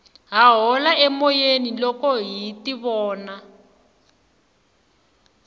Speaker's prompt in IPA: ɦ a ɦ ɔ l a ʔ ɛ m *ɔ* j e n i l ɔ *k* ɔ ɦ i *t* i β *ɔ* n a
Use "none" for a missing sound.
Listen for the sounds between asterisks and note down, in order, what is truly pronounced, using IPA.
ɔ, k, t, ɔː

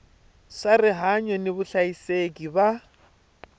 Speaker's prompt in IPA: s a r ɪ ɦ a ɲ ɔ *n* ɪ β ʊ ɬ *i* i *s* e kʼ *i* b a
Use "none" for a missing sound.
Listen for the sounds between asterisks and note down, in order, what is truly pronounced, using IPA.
n, a, s, i

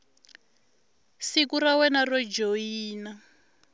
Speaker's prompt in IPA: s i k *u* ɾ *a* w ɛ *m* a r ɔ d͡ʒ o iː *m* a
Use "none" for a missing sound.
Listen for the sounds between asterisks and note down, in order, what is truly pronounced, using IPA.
u, a, n, n

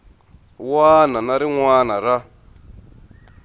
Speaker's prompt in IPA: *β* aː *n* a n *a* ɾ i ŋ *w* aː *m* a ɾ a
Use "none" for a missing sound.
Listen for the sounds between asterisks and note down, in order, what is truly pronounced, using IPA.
w, n, a, w, n

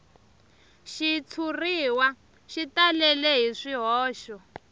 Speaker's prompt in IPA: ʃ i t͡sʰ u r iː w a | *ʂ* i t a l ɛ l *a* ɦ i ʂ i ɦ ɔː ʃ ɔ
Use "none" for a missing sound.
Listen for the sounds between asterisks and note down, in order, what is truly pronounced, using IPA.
ʃ, ɛ

